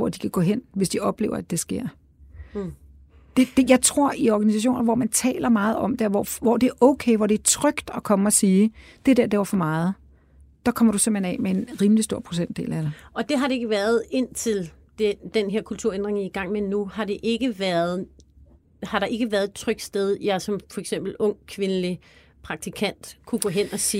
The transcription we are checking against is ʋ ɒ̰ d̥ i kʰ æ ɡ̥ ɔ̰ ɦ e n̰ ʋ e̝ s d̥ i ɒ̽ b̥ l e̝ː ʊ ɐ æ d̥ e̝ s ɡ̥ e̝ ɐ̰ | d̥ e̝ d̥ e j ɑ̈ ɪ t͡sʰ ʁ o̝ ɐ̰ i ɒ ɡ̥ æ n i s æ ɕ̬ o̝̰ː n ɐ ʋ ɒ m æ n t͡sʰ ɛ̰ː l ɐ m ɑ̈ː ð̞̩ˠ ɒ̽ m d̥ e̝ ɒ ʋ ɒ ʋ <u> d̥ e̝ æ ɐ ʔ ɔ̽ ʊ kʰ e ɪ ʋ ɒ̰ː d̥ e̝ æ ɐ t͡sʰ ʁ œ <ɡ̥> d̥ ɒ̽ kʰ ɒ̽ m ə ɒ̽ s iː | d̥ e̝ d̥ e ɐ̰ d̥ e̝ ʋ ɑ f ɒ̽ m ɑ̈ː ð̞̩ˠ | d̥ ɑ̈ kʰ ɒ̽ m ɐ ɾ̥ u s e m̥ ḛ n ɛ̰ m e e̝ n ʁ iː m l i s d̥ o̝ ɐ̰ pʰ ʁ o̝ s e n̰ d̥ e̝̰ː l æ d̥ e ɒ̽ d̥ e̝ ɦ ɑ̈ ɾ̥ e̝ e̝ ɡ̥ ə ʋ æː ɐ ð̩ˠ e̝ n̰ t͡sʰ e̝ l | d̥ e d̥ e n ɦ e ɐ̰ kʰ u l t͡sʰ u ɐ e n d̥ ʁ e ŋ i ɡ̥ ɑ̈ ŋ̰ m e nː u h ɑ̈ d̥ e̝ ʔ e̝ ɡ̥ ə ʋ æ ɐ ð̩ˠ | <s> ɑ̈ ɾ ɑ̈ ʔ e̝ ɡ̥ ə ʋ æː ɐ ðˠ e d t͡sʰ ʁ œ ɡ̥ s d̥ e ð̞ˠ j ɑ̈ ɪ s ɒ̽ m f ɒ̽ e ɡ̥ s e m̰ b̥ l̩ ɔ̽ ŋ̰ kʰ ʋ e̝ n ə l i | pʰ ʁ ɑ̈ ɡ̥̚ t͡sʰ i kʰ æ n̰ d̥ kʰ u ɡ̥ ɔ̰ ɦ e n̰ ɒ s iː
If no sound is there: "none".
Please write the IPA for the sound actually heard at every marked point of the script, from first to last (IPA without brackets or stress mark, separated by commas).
ɒ, ɡ̥, h